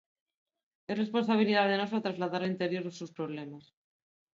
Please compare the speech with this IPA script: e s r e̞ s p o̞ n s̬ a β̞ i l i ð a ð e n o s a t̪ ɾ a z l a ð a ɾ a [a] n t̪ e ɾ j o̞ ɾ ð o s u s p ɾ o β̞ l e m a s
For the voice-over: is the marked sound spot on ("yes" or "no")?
no